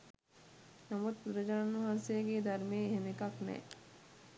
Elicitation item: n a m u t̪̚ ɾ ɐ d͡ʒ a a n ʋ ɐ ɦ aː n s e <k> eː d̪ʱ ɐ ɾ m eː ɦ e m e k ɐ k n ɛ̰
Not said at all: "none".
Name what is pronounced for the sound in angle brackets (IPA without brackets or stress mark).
ɡ